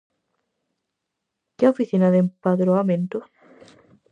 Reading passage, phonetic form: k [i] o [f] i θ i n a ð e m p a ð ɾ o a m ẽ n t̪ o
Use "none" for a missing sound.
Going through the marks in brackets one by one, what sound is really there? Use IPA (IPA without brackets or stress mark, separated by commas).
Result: e, f